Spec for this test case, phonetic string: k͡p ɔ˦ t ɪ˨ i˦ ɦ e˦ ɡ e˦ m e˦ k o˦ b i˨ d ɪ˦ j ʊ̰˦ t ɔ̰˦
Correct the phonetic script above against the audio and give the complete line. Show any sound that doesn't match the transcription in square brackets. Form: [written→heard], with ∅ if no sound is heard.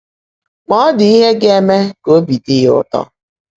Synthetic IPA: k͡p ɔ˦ [t→d] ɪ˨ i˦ ɦ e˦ ɡ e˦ m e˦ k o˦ b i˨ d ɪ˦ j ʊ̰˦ t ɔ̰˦

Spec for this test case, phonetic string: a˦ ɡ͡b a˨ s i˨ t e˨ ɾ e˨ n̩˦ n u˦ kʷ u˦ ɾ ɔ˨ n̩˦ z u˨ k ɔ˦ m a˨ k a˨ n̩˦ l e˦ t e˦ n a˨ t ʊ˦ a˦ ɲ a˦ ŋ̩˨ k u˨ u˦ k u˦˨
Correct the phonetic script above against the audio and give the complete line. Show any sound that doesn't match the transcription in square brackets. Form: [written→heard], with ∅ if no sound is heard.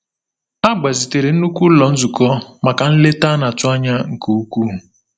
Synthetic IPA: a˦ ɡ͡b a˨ [s→z] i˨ t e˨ ɾ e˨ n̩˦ n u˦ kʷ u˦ [ɾ→l] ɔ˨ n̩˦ z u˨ k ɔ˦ m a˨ k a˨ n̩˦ l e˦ t [e˦→a˦] n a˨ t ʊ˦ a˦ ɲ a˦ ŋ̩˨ k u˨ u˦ k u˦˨

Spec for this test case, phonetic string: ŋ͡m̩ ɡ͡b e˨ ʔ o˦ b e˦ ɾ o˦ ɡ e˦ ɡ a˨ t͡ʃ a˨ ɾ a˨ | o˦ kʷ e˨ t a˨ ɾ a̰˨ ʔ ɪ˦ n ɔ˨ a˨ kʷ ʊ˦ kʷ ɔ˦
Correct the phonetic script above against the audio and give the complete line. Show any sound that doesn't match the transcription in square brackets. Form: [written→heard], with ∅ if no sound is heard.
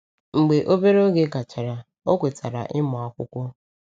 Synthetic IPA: ŋ͡m̩ ɡ͡b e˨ ʔ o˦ b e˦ ɾ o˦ ɡ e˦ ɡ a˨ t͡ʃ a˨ ɾ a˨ | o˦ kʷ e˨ t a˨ ɾ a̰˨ ʔ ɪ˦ [n→m] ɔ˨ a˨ kʷ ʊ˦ kʷ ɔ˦

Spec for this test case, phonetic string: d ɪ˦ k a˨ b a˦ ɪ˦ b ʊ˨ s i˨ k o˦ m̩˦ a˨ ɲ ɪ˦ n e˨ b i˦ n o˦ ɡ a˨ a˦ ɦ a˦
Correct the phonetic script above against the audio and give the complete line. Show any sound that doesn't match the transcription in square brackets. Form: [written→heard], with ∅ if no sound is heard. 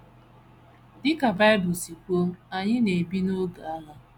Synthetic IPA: d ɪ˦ k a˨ b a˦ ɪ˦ b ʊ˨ s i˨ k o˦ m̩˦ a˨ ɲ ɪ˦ n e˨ b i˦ n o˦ ɡ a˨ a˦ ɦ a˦

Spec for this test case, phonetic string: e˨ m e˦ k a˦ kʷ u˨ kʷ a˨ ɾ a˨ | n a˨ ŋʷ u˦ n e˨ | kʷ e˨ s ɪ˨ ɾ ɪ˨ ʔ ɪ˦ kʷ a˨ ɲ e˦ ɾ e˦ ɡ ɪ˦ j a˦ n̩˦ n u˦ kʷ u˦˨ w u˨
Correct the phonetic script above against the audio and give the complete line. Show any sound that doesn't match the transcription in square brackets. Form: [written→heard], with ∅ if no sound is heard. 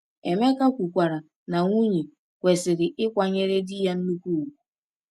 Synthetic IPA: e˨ m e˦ k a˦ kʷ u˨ kʷ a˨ ɾ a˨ | n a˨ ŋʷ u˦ [n→ɲ] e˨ | kʷ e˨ s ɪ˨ ɾ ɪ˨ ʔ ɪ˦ kʷ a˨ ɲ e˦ ɾ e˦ [ɡ→d] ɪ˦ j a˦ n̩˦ n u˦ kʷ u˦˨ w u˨

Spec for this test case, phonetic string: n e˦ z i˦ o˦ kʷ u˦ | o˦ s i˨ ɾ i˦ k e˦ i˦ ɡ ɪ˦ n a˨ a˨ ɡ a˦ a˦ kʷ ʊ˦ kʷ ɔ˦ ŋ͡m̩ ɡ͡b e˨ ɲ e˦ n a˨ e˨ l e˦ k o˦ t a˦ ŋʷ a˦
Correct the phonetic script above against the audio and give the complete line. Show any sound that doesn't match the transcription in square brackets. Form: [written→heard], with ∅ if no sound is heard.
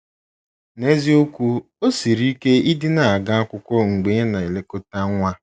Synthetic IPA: n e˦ z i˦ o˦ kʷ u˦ | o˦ s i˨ ɾ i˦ k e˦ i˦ [ɡ→d] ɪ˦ n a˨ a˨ ɡ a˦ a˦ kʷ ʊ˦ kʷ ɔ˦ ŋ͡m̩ ɡ͡b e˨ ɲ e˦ n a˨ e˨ l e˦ k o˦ t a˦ ŋʷ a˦

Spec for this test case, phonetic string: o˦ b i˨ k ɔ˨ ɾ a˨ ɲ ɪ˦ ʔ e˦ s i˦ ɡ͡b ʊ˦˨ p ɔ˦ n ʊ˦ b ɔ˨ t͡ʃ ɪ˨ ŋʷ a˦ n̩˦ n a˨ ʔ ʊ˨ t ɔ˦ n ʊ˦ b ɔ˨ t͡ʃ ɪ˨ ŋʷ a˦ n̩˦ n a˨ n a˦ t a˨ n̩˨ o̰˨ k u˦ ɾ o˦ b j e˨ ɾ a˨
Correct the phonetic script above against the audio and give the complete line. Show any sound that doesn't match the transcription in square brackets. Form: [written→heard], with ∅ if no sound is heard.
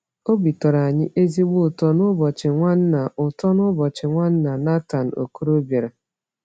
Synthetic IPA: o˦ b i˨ [k→t] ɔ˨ ɾ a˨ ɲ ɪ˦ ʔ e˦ [s→z] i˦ ɡ͡b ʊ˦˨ [p→t] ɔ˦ n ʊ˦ b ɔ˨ t͡ʃ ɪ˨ ŋʷ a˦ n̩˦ n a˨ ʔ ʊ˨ t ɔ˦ n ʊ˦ b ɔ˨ t͡ʃ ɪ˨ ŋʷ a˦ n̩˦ n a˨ n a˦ t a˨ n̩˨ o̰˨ k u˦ ɾ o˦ b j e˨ ɾ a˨

